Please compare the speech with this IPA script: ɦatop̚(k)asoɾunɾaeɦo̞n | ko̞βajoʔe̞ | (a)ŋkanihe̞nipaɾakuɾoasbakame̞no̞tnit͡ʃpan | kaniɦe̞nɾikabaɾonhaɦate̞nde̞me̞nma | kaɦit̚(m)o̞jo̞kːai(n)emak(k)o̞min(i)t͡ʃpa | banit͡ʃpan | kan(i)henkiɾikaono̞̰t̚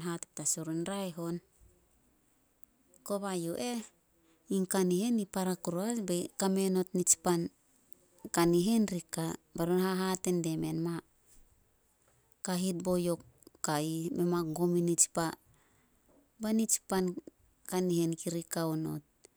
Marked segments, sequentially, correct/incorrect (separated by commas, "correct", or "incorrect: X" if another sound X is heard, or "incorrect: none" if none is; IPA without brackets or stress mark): incorrect: t, incorrect: i, incorrect: b, incorrect: m, incorrect: ɡ, correct, correct